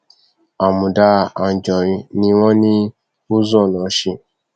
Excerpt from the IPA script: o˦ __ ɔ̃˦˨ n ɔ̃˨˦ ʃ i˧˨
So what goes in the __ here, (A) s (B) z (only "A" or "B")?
B